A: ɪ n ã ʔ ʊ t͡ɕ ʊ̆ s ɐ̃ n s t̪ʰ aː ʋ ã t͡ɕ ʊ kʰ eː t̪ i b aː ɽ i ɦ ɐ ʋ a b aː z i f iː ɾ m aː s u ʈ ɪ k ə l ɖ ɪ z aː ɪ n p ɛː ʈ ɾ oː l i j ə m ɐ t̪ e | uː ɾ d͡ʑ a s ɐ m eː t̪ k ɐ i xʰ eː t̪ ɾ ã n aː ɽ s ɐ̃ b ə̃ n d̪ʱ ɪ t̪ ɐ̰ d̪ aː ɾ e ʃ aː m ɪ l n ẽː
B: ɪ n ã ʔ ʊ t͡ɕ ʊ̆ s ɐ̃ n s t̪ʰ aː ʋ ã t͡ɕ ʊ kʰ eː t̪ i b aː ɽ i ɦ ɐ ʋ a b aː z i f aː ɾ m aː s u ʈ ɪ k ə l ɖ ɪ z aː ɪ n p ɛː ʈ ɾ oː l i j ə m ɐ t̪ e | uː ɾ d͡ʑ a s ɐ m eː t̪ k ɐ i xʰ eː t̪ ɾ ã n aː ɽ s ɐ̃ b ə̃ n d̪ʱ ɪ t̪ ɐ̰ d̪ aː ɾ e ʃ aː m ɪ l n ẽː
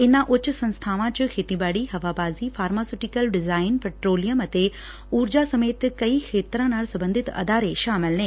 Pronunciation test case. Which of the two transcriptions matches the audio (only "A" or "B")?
B